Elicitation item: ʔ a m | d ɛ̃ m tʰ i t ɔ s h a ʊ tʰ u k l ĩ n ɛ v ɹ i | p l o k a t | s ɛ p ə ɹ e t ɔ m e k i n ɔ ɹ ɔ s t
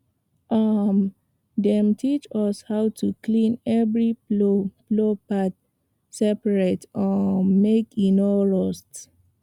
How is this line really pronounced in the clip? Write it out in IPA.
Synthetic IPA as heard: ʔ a m | d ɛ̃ m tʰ i t͡ʃ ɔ s h a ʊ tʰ u k l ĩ n ɛ v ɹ i | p l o p a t | s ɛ p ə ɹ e t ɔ m e k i n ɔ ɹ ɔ s t